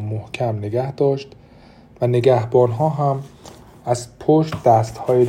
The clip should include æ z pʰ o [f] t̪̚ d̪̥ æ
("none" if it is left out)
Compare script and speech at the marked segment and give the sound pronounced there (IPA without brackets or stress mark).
ʃ